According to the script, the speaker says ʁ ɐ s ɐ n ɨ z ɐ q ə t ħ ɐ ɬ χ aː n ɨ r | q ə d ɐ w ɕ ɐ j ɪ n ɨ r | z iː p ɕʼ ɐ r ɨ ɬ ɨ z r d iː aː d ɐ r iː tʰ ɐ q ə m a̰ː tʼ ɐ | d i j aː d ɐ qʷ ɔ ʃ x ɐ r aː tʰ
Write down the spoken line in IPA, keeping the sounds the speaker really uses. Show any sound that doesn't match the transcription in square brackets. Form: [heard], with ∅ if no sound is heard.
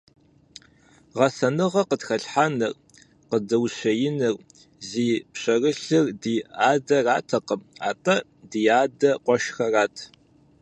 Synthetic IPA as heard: ʁ ɐ s ɐ n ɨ [ʁ] ɐ q ə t [x] ɐ ɬ [ħ] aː n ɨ r | q ə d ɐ w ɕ ɐ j ɪ n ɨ r | z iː p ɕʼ ɐ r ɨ ɬ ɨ [∅] r d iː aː d ɐ r [aː] tʰ ɐ q ə m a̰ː tʼ ɐ | d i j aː d ɐ qʷ ɔ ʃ x ɐ r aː tʰ